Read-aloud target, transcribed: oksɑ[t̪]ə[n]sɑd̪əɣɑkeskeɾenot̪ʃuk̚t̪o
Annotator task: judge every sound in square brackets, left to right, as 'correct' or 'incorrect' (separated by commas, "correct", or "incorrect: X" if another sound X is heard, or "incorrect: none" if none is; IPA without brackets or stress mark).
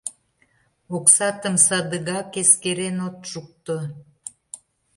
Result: correct, incorrect: m